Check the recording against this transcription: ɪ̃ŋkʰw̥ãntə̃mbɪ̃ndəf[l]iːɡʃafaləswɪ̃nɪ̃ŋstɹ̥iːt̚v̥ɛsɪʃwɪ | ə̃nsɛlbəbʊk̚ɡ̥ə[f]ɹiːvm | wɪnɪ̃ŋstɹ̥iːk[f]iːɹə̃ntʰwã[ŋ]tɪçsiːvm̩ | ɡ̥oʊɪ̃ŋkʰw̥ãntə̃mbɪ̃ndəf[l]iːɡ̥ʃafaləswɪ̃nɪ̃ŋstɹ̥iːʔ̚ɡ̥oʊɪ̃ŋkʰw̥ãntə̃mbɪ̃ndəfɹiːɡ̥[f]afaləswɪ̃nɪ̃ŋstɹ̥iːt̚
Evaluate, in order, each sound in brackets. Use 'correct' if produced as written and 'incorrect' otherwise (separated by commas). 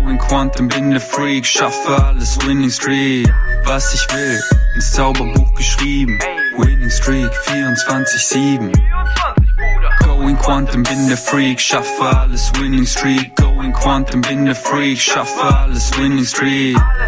incorrect, incorrect, correct, incorrect, incorrect, incorrect